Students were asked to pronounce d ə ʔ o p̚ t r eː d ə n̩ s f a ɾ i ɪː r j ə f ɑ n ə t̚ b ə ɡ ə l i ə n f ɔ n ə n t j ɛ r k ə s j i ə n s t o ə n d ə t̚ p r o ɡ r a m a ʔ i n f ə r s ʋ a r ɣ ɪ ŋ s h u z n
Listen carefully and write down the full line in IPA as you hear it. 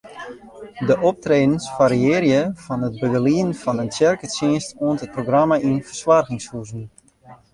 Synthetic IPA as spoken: d ə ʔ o p̚ t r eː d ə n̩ s f a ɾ i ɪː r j ə f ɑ n ə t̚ b ə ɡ ə l i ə n f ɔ n ə n t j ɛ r k ə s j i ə n s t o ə n t ə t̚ p r o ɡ r a m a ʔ i n f ə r s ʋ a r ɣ ɪ ŋ s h u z n

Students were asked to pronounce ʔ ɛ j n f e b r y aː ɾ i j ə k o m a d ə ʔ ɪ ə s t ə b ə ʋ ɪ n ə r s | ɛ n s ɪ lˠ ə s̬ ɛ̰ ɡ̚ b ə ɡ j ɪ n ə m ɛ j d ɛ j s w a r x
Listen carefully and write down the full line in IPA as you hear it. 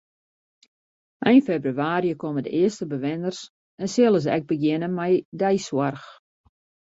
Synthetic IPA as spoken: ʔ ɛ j n f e b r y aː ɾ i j ə k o m ə d ə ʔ ɪ ə s t ə b ə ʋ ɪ n ə r s | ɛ n s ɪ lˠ ə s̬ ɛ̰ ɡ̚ b ə ɡ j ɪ n ə m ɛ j d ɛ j s w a r x

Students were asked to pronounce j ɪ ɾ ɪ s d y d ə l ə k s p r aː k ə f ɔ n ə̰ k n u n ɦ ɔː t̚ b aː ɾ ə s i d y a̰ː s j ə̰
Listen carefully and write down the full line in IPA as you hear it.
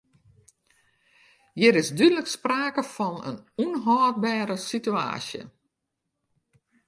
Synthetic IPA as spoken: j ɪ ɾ ɪ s d y d ə l ə k s p r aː k ə f ɔ n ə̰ n u n ɦ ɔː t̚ b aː ɾ ə s i t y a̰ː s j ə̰

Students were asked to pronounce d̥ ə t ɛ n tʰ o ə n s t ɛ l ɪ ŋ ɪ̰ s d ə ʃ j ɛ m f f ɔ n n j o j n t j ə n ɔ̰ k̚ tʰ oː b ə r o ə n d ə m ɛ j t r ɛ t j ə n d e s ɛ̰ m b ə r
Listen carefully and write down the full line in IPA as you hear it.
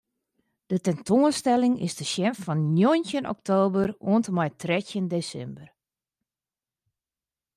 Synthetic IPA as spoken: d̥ ə t ɛ n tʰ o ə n s t ɛ l ɪ ŋ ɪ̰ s d ə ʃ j ɛ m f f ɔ n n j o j n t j ə n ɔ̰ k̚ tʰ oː b ə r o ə n t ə m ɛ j t r ɛ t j ə n d e s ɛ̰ m b ə r

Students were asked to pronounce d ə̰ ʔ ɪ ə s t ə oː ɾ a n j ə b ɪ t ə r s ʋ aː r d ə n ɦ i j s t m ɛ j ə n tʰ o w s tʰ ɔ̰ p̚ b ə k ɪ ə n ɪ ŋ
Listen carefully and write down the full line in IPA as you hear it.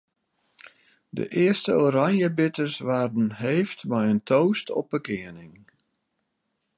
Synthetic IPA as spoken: d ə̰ ʔ ɪ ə s t ə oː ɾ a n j ə b ɪ t ə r s ʋ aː r d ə n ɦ e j f t m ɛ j ə n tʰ o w s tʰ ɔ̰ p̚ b ə k ɪ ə n ɪ ŋ

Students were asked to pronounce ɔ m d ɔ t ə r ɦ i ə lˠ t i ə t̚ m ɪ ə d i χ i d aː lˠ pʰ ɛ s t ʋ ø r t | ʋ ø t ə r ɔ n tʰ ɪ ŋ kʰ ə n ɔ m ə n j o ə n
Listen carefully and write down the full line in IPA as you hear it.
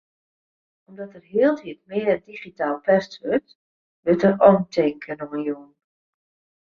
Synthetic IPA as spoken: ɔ m d ɔ t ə r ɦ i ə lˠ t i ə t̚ m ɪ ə d i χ i t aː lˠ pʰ ɛ s t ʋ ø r t | ʋ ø t ə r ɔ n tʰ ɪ ŋ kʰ ə n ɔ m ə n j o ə n

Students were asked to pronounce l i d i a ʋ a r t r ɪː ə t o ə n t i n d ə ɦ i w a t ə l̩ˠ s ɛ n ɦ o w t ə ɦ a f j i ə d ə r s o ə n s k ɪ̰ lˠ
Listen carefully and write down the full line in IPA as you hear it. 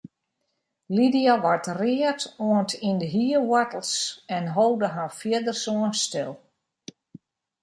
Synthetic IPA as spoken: l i d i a ʋ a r t r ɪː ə t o ə n t i n d ə ɦ i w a t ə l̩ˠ s ɛ n ɦ o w d ə ɦ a f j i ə d ə r s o ə n s t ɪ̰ lˠ

